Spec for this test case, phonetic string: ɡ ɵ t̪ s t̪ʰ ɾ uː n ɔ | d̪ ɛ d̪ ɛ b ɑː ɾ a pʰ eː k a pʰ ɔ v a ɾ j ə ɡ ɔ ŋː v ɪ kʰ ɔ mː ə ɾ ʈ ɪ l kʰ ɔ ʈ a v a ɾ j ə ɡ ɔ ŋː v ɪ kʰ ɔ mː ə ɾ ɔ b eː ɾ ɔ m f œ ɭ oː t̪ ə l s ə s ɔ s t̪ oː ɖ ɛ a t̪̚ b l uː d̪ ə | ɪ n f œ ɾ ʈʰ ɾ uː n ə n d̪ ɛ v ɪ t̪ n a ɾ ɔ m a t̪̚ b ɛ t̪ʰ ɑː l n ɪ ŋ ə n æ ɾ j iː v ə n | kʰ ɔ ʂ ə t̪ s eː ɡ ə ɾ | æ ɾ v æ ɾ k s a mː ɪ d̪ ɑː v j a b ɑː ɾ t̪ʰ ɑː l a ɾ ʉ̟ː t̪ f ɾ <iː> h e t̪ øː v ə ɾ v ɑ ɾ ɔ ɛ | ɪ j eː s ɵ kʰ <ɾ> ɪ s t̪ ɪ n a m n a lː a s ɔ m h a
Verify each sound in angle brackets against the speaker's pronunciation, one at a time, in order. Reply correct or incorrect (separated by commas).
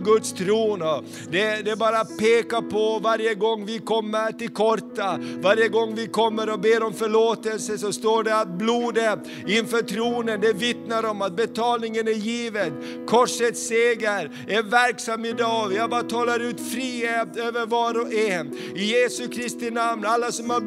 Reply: correct, correct